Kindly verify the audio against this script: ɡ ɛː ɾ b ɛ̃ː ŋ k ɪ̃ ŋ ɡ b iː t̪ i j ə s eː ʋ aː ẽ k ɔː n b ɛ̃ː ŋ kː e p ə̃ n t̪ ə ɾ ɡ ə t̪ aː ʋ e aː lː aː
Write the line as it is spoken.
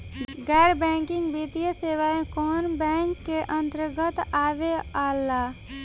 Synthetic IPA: ɡ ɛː ɾ b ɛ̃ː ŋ k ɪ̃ ŋ ɡ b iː t̪ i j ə s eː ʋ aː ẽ k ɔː n b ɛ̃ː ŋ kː e ʔ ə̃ n t̪ ə ɾ ɡ ə t̪ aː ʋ e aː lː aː